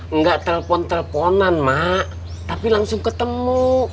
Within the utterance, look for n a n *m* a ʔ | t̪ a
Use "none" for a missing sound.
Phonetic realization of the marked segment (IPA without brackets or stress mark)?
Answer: m